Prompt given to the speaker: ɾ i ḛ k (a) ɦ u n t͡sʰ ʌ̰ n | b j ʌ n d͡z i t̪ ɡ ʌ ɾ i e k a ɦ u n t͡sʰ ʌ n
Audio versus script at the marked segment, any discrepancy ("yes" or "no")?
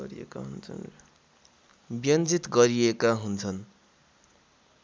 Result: no